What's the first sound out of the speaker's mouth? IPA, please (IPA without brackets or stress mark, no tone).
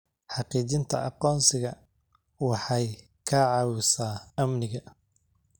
ħ